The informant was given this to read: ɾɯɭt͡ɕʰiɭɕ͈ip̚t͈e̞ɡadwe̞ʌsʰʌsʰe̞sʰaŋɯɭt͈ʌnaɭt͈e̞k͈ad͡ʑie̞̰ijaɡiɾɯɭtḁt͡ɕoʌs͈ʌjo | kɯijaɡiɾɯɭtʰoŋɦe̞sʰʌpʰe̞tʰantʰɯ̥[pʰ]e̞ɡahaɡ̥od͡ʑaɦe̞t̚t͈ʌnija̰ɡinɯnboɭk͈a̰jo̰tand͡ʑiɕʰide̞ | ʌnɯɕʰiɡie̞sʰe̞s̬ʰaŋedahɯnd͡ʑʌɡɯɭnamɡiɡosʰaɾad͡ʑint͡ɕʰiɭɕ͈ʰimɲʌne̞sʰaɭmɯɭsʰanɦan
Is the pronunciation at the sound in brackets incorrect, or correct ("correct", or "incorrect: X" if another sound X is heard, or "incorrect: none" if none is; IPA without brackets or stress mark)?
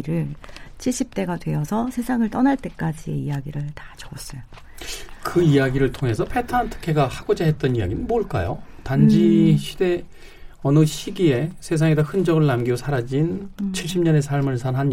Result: incorrect: kʰ